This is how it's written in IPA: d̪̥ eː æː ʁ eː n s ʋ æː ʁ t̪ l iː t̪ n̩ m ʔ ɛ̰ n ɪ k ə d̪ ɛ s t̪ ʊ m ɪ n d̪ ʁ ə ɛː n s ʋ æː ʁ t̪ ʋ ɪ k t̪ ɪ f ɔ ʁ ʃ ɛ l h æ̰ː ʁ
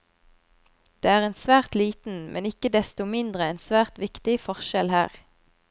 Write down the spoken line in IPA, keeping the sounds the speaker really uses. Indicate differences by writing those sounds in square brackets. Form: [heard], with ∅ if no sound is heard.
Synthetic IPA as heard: d̪̥ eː æː ʁ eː n s ʋ æː ʁ t̪ l iː t̪ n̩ m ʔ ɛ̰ n ɪ k ə d̪ ɛ s t̪ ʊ m ɪ n d̪ ʁ ə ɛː n s ʋ æː ʁ t̪ ʋ ɪ k t̪ ɪ f ɔ ʁ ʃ ɛ l h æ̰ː ʁ